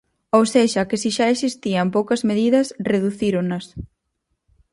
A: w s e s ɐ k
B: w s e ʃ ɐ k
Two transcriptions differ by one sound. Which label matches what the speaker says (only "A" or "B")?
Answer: B